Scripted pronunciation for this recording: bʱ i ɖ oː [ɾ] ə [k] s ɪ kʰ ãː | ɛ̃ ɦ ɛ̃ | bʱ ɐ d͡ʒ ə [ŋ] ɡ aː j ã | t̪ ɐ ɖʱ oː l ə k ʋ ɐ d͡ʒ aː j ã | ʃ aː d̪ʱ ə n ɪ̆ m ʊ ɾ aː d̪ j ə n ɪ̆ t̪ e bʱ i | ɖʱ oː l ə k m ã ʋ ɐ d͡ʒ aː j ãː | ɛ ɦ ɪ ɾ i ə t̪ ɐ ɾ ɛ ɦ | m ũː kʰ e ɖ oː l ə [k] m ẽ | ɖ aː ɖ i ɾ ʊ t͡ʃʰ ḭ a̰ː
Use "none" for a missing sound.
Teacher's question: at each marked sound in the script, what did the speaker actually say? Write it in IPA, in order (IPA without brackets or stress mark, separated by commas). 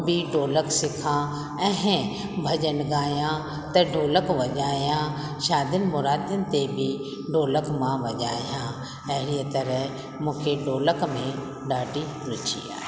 l, k, n, k